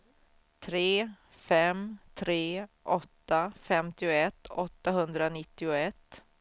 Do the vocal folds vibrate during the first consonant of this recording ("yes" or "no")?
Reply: no